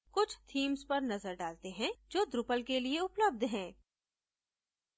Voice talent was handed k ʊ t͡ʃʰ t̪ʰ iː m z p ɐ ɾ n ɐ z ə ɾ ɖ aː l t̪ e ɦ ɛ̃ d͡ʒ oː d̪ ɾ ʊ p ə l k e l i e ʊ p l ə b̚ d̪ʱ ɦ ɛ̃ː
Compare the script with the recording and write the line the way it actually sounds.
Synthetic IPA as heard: k ʊ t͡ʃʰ t̪ʰ iː m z p ɐ ɾ n ɐ z ə ɾ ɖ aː l t̪ e ɦ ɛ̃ d͡ʒ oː d̪ ɾ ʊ p ə l k e l i e ʊ p l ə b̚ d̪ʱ ɦ ɛ̃ː